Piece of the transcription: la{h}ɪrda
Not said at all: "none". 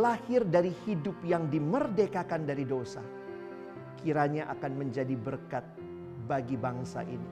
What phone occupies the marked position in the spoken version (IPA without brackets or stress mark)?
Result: h